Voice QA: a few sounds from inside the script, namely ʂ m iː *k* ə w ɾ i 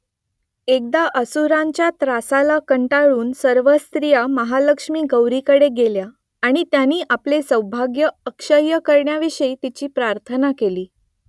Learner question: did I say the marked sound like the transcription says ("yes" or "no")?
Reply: no